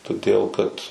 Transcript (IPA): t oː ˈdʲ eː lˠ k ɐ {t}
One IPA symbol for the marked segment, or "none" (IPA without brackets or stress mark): t